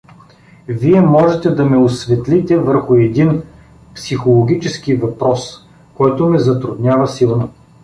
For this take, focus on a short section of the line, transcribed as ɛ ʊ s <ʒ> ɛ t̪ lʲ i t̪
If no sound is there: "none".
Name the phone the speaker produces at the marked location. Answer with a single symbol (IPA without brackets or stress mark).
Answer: v